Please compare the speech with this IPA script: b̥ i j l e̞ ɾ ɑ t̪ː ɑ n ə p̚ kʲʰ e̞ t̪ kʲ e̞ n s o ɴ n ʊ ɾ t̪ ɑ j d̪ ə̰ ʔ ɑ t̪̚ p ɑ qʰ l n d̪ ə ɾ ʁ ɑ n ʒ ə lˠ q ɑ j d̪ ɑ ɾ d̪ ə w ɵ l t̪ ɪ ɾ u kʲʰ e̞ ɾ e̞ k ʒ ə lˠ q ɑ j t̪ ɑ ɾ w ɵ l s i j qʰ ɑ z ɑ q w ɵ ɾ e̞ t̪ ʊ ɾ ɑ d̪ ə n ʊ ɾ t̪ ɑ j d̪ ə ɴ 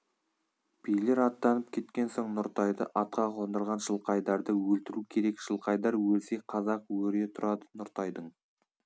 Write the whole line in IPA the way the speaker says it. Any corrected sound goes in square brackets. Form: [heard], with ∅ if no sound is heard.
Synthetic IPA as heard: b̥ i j l e̞ ɾ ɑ t̪ː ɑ n ə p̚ kʲʰ e̞ t̪ kʲ e̞ n s o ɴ n ʊ ɾ t̪ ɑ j d̪ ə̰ ʔ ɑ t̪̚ [q] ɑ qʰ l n d̪ ə ɾ ʁ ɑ n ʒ ə lˠ q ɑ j d̪ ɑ ɾ d̪ ə w ɵ l t̪ ɪ ɾ u kʲʰ e̞ ɾ e̞ k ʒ ə lˠ q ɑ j [d̪] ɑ ɾ w ɵ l s [e] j qʰ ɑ z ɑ q w ɵ ɾ e̞ [t̪ʰ] ʊ ɾ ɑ d̪ ə n ʊ ɾ t̪ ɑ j d̪ ə ɴ